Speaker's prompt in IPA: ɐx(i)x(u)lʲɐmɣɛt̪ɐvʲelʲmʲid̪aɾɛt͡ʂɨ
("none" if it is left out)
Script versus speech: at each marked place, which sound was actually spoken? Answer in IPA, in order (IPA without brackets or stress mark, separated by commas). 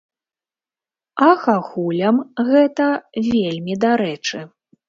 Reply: a, u